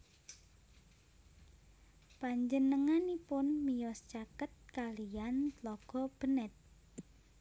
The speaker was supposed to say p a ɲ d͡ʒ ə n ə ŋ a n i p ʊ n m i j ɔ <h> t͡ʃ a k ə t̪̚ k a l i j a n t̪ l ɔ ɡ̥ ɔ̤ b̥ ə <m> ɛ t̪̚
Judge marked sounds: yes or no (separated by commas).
no, no